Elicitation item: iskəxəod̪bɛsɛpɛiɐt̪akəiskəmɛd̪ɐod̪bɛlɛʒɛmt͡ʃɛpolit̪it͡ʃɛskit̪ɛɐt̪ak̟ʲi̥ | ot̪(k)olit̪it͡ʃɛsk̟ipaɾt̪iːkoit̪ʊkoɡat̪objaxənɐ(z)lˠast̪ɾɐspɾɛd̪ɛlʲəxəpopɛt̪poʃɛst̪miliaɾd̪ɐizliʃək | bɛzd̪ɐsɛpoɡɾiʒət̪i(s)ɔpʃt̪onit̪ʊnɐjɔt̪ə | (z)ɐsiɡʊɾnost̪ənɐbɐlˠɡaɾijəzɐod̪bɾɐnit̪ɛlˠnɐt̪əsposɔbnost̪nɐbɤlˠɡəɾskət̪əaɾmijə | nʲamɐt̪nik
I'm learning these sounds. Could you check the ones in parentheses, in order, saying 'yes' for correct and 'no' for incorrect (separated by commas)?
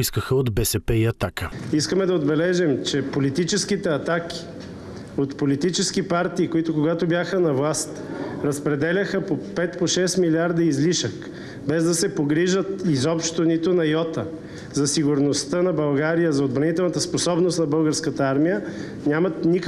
no, no, no, yes